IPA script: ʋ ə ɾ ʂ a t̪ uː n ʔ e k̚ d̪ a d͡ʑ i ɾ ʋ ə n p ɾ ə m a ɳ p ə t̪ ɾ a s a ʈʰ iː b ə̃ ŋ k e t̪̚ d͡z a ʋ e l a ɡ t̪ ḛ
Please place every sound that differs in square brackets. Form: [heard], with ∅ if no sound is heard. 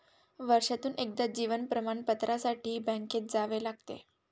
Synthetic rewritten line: ʋ ə ɾ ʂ a t̪ uː n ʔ e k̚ d̪ a d͡ʑ i [∅] ʋ ə n p ɾ ə m a ɳ p ə t̪ ɾ a s a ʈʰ iː b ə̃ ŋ k e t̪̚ d͡z a ʋ e l a ɡ t̪ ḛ